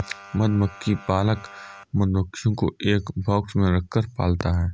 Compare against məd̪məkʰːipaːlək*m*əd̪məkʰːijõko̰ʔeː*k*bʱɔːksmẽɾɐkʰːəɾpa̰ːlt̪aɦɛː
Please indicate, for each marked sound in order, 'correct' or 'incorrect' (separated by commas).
correct, correct